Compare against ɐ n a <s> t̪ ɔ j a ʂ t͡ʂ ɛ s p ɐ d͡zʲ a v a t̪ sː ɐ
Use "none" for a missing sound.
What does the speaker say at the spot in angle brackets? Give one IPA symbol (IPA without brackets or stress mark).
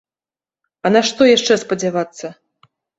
ʂ